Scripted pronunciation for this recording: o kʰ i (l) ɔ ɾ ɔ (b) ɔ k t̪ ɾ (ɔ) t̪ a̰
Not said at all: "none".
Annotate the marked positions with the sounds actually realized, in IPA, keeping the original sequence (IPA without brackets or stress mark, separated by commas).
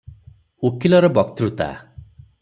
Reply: l, b, u